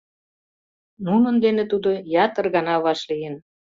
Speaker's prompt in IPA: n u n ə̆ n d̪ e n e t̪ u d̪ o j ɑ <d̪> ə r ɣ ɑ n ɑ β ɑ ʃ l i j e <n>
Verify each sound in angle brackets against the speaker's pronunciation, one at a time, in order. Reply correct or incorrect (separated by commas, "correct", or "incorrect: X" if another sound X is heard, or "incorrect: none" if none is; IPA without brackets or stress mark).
incorrect: t̪, correct